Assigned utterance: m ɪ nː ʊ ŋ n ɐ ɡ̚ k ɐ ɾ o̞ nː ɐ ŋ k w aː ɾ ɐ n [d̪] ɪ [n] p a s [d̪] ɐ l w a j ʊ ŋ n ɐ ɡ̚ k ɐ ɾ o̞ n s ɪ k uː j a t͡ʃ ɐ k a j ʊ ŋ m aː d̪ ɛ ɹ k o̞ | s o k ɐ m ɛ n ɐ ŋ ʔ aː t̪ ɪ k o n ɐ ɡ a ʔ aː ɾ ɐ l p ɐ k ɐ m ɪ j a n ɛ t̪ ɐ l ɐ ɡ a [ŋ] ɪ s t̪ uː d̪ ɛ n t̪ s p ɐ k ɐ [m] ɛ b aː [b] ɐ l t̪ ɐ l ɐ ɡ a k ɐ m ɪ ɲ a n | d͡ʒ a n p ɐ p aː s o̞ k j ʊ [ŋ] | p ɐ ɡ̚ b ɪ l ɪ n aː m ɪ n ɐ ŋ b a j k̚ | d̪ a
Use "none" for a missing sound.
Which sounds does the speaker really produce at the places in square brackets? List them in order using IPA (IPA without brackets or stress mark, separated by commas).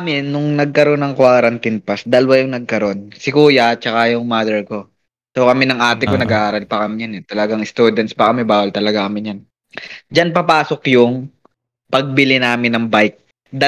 t̪, n, d̪, ŋ, m, w, ŋ